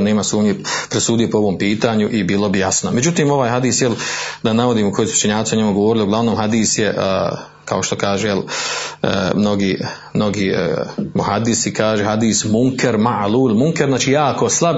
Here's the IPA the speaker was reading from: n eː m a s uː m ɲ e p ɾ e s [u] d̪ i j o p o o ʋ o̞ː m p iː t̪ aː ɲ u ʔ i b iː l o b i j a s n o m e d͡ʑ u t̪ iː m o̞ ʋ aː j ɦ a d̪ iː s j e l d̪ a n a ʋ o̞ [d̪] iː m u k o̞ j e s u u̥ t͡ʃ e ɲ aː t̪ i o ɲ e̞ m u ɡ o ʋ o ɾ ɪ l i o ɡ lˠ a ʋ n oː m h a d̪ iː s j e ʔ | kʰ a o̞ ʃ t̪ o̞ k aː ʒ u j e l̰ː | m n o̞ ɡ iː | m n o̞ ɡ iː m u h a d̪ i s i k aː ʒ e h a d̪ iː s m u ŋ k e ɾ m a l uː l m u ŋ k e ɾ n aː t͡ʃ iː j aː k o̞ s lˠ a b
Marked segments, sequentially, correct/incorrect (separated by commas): incorrect, correct